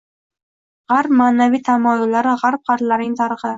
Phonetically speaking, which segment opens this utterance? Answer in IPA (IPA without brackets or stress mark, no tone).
ʁ